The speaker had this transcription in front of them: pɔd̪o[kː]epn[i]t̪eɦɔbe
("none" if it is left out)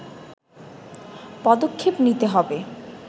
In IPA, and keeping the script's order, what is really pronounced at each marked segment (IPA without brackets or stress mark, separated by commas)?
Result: kʰː, i